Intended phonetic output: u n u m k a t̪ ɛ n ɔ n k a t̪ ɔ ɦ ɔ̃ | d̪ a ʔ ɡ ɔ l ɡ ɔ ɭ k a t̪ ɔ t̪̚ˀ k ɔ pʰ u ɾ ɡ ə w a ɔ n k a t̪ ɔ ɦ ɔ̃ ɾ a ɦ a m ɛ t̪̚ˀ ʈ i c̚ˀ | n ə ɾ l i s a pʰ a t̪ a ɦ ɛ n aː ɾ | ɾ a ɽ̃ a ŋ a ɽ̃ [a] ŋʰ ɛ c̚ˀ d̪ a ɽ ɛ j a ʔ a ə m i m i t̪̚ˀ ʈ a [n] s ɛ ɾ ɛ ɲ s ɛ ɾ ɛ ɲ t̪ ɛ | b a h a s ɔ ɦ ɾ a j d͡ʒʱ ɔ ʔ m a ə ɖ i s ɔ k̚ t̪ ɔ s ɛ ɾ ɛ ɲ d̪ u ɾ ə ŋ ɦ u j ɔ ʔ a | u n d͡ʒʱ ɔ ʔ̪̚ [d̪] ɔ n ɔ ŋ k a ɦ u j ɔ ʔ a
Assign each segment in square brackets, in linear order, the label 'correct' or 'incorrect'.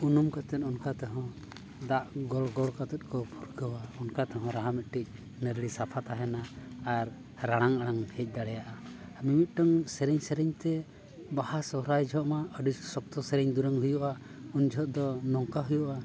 correct, incorrect: ŋ, correct

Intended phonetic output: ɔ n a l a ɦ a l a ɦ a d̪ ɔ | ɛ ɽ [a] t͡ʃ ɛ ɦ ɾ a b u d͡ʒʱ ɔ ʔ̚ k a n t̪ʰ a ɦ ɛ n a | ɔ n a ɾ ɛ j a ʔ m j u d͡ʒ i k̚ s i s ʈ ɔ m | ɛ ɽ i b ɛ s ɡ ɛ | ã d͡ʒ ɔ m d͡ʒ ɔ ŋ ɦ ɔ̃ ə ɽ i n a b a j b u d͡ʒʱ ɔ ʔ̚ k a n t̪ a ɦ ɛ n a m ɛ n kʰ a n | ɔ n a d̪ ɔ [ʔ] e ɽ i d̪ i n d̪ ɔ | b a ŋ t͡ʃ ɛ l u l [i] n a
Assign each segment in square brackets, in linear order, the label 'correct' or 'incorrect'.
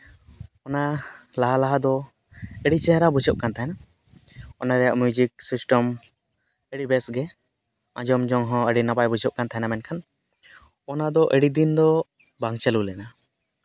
incorrect: i, correct, incorrect: ɛ

